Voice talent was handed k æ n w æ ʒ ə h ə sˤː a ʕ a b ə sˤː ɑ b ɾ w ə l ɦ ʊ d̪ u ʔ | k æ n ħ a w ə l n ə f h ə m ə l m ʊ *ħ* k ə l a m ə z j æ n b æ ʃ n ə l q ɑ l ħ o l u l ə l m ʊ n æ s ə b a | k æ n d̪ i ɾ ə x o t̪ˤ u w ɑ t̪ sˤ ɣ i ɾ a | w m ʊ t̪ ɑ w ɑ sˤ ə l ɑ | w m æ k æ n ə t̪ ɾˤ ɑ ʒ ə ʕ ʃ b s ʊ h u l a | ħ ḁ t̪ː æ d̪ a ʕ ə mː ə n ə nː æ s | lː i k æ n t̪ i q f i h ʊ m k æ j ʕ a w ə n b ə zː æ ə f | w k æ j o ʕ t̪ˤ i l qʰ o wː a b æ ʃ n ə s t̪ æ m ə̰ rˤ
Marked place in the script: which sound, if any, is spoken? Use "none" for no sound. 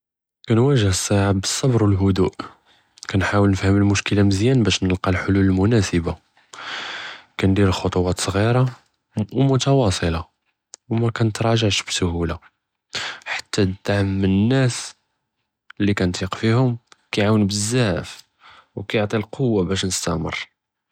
ʃ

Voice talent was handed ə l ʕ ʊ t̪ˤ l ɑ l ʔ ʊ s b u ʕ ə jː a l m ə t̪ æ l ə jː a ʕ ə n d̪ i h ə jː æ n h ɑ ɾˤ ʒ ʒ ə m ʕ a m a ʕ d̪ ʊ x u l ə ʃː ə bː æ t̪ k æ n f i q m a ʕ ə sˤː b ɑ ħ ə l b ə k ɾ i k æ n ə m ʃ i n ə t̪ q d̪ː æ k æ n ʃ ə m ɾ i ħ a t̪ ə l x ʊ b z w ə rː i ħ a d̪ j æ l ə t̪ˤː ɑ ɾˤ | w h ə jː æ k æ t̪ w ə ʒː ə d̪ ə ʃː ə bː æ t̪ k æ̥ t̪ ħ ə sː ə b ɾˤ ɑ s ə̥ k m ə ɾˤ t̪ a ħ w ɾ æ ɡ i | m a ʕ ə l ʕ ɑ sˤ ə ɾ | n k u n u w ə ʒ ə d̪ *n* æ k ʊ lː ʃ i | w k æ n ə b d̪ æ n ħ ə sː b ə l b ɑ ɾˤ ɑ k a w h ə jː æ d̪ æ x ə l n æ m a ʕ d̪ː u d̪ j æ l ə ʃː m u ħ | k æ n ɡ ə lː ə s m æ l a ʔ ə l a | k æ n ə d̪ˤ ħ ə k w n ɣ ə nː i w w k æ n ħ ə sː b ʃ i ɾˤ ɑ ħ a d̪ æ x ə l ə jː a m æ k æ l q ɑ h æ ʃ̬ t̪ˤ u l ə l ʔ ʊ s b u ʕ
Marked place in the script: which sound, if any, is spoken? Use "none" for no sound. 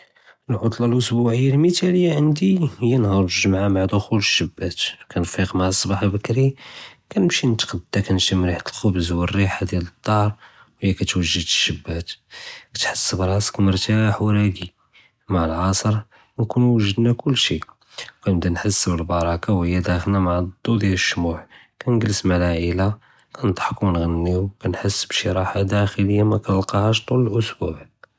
n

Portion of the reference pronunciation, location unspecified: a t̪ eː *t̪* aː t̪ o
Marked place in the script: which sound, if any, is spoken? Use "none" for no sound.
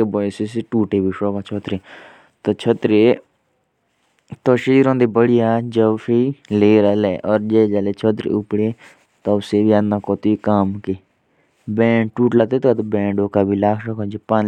t̪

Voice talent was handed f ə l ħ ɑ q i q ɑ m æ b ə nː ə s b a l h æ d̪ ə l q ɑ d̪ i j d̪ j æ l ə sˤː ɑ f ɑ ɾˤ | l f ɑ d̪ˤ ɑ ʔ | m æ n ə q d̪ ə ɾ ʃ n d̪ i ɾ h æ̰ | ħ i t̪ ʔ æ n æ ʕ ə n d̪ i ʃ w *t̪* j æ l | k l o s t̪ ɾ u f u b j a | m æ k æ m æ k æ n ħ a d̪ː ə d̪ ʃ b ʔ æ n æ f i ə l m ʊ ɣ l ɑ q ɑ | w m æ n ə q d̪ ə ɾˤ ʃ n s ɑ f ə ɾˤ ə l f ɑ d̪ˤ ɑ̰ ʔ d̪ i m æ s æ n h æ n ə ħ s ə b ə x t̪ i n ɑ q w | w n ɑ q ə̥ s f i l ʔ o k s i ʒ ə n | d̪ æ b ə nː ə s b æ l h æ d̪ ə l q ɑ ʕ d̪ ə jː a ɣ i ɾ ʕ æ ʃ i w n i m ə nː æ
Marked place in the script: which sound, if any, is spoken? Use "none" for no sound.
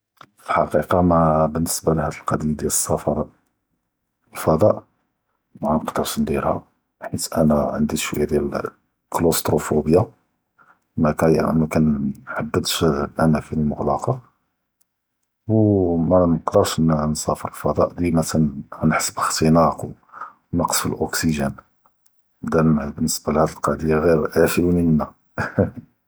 d̪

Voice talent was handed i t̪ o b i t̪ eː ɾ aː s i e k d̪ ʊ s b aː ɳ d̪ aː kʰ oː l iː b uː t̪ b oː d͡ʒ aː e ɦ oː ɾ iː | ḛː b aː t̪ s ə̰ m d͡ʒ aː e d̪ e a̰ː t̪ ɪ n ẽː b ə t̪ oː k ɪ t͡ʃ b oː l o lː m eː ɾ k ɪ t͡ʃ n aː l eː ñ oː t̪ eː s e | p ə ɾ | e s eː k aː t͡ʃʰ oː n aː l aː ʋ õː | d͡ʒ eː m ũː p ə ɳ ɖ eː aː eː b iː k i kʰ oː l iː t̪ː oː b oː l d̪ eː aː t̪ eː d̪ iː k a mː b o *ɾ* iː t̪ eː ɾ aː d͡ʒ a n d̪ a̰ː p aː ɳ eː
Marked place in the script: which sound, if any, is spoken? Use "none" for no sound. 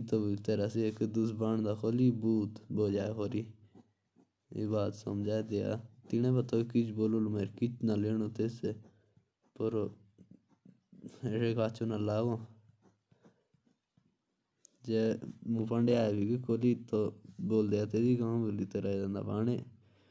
l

